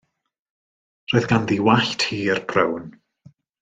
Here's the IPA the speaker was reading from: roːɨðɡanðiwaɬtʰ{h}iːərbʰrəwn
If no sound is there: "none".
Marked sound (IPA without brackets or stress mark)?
h